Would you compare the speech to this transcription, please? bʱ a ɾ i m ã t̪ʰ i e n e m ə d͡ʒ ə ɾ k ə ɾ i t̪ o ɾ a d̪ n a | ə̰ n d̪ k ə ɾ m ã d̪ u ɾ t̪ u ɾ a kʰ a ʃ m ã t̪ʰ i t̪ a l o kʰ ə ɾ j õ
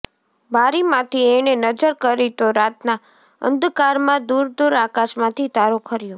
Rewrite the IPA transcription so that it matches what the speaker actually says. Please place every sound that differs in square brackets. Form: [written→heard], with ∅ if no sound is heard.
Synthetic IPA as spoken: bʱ a ɾ i m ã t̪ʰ i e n e [m→n] ə d͡ʒ ə ɾ k ə ɾ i t̪ o ɾ a [d̪→t̪] n a | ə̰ n d̪ k [ə→a] ɾ m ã d̪ u ɾ [t̪→d̪] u ɾ a [kʰ→k] a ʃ m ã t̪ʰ i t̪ a [l→ɾ] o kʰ ə ɾ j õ